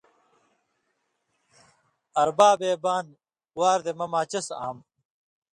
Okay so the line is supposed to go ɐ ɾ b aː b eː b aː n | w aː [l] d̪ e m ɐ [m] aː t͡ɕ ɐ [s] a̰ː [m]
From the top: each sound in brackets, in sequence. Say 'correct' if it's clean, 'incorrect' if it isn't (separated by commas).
incorrect, correct, correct, correct